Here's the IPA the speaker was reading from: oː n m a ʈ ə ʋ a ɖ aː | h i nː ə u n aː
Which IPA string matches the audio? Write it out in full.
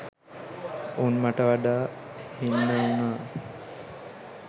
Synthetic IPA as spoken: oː n m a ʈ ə ʋ a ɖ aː | h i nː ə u n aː